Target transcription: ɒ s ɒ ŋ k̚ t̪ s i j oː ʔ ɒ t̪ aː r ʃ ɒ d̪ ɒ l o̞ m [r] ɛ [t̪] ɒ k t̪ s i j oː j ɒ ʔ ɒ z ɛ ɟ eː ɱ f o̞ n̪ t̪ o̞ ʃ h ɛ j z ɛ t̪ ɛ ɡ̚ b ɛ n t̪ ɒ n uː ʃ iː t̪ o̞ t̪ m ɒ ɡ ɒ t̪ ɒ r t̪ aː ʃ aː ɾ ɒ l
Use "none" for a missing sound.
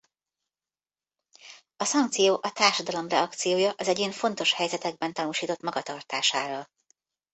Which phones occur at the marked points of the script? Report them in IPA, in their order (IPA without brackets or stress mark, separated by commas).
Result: r, none